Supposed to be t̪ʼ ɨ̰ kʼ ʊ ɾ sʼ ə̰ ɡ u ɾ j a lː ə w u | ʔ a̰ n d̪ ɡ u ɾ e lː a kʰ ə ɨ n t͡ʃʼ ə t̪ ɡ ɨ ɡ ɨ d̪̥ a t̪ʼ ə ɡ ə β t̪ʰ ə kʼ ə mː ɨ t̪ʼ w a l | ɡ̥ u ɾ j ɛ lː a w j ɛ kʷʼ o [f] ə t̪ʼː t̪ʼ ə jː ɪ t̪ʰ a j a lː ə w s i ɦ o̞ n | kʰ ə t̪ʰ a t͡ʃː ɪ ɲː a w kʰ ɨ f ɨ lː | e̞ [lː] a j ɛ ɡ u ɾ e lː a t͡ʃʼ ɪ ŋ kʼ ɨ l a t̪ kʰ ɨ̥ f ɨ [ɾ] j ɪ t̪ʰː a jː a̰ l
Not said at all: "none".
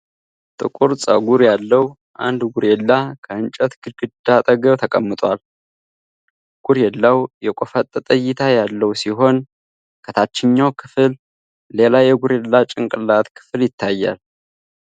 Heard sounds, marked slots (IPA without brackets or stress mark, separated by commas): f, l, l